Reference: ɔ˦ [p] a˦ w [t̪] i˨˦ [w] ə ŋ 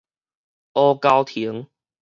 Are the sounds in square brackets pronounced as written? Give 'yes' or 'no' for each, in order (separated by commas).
no, no, no